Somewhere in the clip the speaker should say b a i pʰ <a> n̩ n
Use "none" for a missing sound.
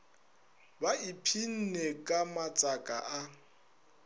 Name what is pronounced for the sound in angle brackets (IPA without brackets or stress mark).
i